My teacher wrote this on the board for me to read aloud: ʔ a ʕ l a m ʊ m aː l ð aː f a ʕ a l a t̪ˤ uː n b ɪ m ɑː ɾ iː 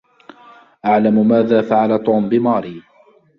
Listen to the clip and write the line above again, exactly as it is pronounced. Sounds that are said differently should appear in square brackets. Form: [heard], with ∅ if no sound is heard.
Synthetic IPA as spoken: ʔ a ʕ l a m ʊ m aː [∅] ð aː f a ʕ a l a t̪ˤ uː [m] b ɪ m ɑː ɾ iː